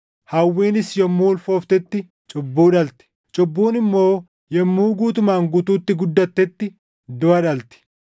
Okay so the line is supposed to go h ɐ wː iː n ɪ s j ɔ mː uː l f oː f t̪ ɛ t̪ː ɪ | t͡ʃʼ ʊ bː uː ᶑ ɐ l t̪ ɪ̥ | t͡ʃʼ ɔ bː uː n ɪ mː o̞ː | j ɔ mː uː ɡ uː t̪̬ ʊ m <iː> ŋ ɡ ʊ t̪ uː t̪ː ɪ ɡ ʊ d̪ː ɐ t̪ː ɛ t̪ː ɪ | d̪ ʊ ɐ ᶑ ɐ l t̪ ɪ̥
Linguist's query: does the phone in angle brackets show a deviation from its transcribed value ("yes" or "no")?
yes